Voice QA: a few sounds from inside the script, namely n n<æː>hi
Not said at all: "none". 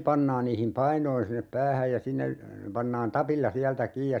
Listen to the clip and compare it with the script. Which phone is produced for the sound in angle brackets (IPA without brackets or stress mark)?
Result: iː